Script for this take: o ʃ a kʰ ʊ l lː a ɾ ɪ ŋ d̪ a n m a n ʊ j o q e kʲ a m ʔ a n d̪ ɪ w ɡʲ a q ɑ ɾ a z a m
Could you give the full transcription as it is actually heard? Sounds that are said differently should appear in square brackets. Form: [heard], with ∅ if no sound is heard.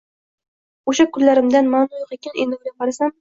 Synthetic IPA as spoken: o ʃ a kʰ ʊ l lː a ɾ ɪ [m] d̪ a n m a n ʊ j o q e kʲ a [n] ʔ [e] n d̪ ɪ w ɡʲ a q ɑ ɾ a [s] a m